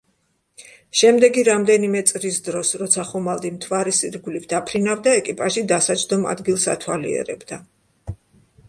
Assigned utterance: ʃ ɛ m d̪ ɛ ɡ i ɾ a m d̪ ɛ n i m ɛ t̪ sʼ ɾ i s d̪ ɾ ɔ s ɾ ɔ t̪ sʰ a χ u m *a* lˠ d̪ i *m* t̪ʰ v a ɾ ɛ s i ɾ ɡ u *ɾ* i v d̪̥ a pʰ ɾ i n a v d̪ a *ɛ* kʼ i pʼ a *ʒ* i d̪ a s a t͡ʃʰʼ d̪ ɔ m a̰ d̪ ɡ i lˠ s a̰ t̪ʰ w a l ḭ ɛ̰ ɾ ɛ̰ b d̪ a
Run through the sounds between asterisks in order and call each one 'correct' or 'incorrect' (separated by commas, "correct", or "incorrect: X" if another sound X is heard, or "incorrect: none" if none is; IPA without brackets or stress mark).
correct, correct, incorrect: l, correct, correct